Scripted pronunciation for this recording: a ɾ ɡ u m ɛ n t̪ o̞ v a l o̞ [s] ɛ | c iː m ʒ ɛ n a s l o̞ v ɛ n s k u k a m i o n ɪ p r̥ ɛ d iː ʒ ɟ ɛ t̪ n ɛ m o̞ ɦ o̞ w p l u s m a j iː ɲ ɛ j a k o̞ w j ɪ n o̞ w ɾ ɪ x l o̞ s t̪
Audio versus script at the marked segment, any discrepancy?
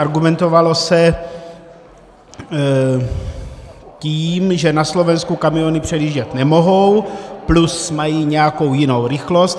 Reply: no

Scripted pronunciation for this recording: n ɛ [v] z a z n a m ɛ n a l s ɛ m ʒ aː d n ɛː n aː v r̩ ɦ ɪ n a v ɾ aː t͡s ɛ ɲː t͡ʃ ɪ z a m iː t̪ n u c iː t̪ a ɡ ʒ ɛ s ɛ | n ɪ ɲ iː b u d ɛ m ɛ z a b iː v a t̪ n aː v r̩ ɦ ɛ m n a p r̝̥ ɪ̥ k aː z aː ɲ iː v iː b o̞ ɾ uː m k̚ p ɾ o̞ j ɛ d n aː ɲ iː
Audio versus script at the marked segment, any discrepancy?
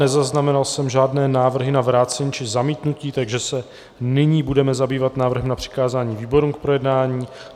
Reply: yes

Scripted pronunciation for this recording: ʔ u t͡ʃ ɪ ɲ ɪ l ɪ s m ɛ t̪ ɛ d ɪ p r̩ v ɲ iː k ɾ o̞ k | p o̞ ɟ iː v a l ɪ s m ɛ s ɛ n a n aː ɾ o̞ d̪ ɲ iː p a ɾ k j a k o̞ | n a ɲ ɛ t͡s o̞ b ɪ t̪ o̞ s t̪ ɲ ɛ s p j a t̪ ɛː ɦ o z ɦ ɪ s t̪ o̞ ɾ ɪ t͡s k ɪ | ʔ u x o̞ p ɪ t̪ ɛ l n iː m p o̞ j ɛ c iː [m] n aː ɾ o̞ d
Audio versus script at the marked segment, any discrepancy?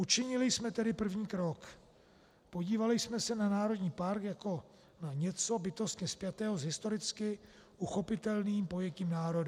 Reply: no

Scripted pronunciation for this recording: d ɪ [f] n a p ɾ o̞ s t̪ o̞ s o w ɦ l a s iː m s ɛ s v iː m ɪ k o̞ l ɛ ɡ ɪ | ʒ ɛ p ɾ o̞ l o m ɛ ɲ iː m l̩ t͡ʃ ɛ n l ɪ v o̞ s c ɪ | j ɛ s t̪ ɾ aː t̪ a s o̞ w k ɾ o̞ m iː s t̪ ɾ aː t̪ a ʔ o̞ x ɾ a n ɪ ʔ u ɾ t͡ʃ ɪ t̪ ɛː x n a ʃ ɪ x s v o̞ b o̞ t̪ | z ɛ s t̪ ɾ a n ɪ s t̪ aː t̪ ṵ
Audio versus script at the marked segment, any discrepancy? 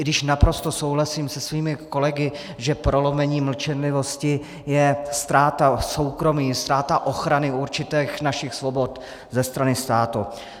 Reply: yes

